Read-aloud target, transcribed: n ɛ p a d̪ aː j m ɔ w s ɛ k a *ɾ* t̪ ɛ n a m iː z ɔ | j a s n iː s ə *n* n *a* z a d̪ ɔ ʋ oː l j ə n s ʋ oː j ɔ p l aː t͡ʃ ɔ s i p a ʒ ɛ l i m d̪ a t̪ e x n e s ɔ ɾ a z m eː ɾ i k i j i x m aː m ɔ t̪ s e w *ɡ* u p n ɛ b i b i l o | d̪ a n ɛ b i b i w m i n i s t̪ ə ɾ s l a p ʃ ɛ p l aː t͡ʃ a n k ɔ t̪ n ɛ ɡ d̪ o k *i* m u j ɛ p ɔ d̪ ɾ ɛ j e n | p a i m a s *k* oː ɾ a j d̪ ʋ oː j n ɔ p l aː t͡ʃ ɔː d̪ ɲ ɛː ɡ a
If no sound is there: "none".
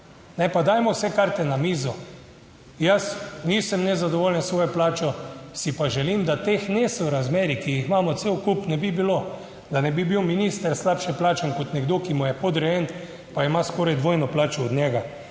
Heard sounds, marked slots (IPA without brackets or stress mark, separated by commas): ɾ, m, ɛ, k, i, k